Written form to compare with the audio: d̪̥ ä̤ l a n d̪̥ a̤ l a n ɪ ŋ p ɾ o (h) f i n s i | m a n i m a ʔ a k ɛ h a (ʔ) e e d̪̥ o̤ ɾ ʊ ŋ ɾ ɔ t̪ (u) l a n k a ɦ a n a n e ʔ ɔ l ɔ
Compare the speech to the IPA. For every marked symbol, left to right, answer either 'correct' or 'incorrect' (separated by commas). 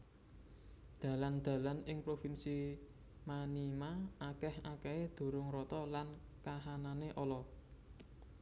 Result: incorrect, incorrect, incorrect